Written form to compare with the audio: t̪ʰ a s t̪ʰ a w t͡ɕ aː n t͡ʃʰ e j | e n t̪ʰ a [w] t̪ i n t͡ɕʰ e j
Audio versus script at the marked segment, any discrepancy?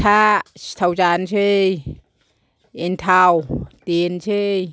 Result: no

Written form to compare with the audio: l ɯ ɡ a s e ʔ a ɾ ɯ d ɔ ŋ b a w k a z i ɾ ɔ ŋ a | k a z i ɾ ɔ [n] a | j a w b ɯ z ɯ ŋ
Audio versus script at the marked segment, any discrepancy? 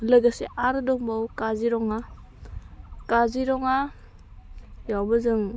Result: yes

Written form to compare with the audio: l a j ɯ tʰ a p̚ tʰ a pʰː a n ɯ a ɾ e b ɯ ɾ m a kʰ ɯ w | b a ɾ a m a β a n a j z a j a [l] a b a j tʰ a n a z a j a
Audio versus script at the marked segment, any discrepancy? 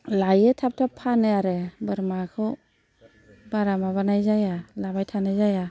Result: no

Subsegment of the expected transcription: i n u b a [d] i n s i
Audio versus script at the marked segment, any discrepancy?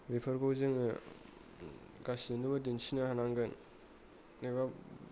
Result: no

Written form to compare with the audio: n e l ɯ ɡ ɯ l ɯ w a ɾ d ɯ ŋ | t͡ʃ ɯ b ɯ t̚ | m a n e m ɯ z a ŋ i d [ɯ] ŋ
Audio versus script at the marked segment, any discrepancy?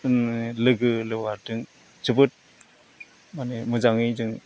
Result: no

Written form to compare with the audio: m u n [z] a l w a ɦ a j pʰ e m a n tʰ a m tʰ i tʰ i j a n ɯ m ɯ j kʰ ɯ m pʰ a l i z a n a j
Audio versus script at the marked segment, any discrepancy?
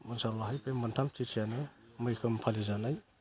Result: yes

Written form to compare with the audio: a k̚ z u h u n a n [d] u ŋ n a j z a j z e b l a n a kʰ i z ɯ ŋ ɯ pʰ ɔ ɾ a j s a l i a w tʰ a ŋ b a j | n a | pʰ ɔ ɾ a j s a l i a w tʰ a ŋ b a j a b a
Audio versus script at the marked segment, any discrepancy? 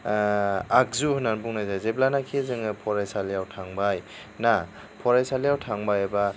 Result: yes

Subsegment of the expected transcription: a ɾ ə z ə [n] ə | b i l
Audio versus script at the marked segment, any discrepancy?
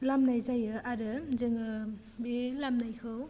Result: yes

